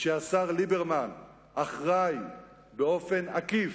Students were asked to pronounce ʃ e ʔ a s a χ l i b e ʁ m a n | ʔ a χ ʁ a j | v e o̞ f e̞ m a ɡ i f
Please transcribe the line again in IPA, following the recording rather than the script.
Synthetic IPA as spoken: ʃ e a s a ʁ l i b e ʁ m a n | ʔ a χ ʁ a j | b e o̞ f e̞ n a k i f

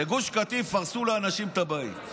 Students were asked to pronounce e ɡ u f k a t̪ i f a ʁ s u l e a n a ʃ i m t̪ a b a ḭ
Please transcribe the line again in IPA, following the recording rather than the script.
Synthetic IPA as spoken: e ɡ u ʃ k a t̪ i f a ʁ s u l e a n a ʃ i m t̪ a b a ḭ

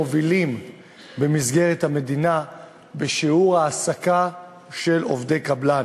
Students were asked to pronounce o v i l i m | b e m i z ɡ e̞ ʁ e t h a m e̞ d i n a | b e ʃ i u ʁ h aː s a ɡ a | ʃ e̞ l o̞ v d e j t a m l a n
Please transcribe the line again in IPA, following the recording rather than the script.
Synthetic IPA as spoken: o v i l i m | b e m i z ɡ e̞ ʁ e t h a m e̞ d i n a | b e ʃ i u ʁ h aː s a k a | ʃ e̞ l o̞ v d e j k a b l a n

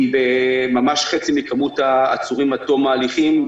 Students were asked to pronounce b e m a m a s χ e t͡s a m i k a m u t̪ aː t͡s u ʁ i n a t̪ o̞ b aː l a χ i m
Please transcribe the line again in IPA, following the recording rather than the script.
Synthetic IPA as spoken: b e m a m a ʃ χ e t͡s i m i k a m u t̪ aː t͡s u ʁ i m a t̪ o̞ m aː l i χ i m

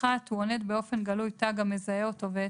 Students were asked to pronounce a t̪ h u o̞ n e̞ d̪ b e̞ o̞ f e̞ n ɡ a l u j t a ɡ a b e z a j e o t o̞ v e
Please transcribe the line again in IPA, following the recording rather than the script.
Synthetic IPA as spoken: a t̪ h u o̞ n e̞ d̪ b e̞ o̞ f e̞ n ɡ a l u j t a ɡ a m e z a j e o t o̞ v e

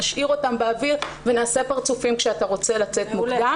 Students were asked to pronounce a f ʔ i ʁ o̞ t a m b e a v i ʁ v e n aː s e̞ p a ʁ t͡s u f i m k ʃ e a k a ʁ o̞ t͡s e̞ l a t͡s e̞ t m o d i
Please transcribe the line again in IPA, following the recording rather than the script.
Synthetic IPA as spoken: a ʃ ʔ i ʁ o̞ t a m b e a v i ʁ v e n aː s e̞ p a ʁ t͡s u f i m k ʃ e a t a ʁ o̞ t͡s e̞ l a t͡s e̞ t m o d a

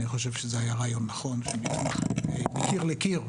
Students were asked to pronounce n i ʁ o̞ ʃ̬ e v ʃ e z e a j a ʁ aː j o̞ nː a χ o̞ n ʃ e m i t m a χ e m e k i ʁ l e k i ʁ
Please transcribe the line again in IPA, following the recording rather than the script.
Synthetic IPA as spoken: n i χ o̞ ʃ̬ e v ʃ e z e a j a ʁ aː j o̞ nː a χ o̞ n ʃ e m i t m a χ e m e k i ʁ l e k i ʁ

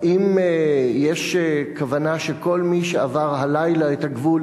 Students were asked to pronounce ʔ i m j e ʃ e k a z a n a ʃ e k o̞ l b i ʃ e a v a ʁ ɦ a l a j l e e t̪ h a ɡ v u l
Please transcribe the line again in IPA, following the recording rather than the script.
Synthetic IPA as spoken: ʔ i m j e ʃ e k a v a n a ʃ e k o̞ l m i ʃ e a v a ʁ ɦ a l a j l a e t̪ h a ɡ v u l

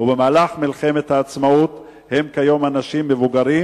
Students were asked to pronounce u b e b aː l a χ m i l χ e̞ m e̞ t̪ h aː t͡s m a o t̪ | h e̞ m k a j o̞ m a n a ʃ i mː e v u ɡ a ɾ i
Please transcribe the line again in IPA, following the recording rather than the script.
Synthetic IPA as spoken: u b e m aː l a χ m i l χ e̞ m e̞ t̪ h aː t͡s m a u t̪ | h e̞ m k a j o̞ m a n a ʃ i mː e v u ɡ a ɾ i

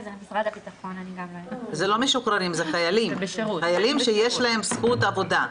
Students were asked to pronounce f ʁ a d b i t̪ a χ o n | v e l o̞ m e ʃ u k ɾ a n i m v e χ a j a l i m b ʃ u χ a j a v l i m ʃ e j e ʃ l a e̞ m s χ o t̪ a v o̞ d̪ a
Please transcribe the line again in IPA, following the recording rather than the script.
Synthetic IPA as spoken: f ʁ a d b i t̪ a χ o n | z e l o̞ m e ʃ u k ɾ a n i m z e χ a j a l i m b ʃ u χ a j a l i m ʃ e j e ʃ l a e̞ m s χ u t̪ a v o̞ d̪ a

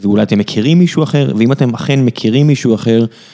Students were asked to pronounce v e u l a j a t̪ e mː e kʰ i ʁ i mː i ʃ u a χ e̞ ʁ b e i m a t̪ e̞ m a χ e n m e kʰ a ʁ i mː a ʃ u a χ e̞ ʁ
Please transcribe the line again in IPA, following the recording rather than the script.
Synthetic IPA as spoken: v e u l a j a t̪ e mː e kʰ i ʁ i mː i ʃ u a χ e̞ ʁ v e i m a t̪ e̞ m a χ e n m e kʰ i ʁ i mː i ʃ u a χ e̞ ʁ

